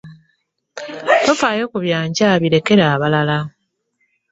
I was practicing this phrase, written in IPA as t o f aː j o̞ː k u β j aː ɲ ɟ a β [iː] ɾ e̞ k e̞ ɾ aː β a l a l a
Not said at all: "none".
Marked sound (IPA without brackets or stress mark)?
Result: i